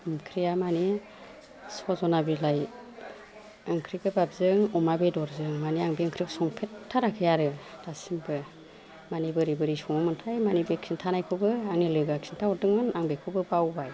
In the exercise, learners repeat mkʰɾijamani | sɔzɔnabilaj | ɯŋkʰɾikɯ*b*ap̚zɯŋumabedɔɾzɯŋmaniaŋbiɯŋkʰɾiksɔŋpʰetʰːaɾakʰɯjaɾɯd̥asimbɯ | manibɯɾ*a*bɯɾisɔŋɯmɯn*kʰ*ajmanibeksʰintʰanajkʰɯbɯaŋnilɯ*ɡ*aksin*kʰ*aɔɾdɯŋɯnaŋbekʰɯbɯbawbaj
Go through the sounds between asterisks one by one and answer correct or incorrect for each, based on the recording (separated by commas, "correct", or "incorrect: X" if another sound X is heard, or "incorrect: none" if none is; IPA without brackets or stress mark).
correct, incorrect: i, incorrect: tʰ, correct, incorrect: tʰ